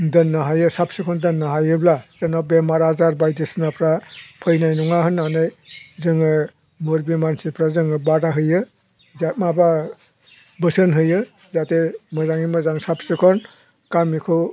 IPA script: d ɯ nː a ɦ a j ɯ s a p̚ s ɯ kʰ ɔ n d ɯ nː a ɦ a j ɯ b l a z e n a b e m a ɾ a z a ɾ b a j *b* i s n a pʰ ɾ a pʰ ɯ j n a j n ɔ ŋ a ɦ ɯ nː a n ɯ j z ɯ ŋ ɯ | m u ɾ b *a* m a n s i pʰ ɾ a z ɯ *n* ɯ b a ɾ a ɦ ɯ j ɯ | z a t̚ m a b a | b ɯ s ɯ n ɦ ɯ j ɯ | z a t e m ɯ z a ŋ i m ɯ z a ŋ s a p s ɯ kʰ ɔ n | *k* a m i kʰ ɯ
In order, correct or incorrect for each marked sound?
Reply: incorrect, incorrect, incorrect, correct

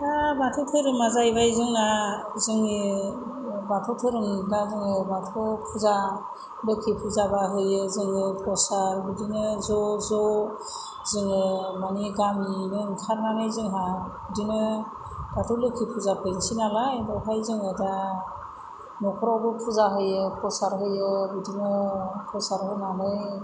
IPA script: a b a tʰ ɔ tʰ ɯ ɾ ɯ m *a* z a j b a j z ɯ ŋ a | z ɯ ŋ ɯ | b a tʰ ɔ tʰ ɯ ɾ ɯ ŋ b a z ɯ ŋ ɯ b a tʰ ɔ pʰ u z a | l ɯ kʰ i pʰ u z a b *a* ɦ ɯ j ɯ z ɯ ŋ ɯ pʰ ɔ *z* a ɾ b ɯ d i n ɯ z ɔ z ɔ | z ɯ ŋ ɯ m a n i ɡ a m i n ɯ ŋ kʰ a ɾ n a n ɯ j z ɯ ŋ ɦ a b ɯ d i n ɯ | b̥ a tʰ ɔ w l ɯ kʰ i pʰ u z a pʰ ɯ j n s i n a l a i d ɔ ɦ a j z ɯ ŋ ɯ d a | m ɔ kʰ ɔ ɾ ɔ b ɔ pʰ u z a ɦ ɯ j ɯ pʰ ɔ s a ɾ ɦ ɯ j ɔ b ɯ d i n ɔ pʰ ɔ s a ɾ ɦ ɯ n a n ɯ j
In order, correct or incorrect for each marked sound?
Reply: correct, correct, incorrect

